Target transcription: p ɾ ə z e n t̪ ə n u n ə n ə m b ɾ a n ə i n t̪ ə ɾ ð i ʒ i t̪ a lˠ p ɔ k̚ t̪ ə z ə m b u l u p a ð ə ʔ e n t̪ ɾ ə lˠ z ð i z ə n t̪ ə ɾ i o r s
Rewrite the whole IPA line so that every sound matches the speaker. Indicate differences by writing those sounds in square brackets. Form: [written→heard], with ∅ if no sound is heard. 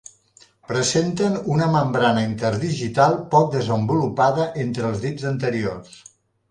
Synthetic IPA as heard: p ɾ ə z e n t̪ ə n u n ə [n→m] ə m b ɾ a n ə i n t̪ ə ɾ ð i ʒ i t̪ a lˠ p ɔ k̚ [t̪→d̪] ə z ə m b u l u p a ð ə ʔ e n t̪ ɾ ə lˠ z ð i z ə n t̪ ə ɾ i o r s